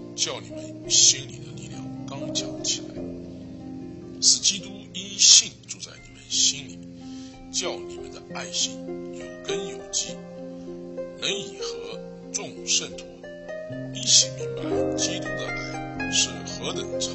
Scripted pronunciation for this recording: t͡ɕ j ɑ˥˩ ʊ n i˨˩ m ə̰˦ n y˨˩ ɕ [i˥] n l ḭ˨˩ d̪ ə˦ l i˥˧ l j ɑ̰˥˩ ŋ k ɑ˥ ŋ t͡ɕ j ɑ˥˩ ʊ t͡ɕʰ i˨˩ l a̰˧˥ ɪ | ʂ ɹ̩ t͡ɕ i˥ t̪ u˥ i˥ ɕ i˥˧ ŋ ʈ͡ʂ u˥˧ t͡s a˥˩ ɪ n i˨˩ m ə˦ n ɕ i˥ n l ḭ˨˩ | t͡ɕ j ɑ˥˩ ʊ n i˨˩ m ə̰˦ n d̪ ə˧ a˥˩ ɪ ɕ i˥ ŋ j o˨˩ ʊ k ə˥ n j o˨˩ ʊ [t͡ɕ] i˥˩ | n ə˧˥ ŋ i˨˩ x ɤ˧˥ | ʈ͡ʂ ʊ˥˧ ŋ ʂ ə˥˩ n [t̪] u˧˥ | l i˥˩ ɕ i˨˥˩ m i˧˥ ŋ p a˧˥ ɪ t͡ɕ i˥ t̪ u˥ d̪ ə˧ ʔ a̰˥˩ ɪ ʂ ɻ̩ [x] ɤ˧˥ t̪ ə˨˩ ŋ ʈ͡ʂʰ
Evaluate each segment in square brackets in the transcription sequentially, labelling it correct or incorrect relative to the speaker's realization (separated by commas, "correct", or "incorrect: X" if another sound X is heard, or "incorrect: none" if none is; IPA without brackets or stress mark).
correct, correct, incorrect: t̪ʰ, correct